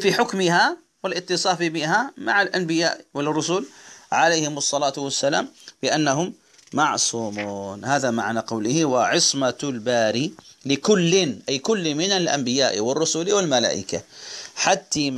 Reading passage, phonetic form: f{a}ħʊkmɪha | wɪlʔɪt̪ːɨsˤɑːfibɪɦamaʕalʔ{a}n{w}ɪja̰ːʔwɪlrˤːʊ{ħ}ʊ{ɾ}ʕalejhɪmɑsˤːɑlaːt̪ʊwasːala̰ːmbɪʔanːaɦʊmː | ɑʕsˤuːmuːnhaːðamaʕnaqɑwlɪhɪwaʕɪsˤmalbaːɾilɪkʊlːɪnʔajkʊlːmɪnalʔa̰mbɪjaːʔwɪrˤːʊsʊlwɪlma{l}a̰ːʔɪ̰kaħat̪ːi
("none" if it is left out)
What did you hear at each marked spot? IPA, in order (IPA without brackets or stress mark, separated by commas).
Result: i, a, b, s, l, l